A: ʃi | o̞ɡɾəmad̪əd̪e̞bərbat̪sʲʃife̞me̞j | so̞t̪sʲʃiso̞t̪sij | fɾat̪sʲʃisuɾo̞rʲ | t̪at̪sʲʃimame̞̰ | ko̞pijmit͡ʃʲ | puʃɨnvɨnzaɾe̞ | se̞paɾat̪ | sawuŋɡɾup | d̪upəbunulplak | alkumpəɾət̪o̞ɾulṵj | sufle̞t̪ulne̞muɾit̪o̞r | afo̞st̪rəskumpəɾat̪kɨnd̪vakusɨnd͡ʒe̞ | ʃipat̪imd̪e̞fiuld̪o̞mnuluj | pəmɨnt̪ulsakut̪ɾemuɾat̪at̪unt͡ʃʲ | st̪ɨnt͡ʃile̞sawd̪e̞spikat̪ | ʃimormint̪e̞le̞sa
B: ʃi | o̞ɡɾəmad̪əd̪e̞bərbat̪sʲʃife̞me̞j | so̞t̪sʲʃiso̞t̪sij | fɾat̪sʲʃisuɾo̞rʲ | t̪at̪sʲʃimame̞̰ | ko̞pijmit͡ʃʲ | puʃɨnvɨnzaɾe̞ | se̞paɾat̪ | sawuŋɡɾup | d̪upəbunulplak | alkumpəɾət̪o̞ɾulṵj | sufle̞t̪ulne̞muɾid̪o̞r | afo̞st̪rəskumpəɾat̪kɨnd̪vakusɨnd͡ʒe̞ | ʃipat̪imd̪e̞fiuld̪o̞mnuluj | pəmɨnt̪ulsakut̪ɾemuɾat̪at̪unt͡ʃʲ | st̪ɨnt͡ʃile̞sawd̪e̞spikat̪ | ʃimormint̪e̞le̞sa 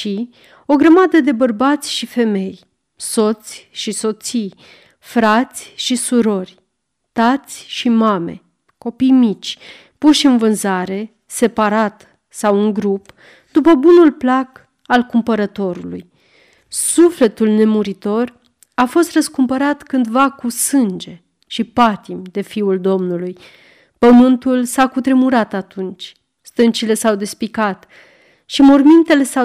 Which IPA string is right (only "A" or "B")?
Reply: A